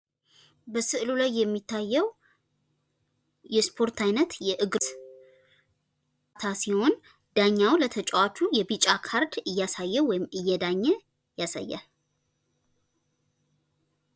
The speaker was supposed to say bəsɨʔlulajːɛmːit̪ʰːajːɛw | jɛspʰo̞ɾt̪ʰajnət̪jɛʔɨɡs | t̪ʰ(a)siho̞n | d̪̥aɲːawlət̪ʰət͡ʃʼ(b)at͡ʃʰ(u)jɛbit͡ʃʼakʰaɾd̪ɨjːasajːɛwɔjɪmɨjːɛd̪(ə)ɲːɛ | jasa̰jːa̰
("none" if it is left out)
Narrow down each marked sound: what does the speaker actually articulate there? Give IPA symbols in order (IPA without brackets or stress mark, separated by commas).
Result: a, w, u, a